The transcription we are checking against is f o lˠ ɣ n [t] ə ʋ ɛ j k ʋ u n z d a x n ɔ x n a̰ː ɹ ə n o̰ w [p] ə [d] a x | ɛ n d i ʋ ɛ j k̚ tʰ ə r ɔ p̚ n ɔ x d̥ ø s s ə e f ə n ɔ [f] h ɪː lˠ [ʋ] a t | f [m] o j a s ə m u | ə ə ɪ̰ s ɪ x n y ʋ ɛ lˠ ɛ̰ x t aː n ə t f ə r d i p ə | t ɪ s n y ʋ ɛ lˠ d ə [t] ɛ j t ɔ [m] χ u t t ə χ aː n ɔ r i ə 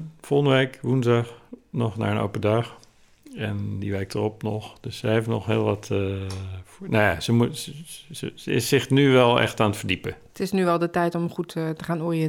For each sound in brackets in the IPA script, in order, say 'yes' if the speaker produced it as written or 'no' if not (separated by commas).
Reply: no, yes, yes, no, yes, no, yes, yes